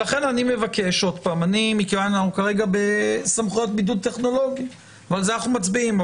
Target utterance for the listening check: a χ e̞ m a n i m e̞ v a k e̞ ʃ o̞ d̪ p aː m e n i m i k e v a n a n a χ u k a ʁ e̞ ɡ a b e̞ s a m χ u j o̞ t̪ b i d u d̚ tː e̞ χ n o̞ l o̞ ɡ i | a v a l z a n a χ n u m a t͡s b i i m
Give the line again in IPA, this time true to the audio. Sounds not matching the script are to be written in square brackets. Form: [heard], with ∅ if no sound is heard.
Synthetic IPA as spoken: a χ e̞ [n] a n i m e̞ v a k e̞ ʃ o̞ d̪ p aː m [a] n i m i k e v a n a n a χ u k a ʁ e̞ ɡ a b e̞ s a m χ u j o̞ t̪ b i d u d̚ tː e̞ χ n o̞ l o̞ ɡ i | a v a l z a n a χ n u m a t͡s b i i m